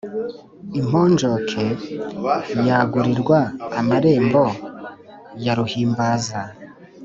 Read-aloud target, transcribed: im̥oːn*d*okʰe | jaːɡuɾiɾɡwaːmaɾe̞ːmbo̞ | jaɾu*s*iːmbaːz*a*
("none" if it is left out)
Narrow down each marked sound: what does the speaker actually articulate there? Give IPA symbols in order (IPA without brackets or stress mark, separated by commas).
d͡ʒ, h, a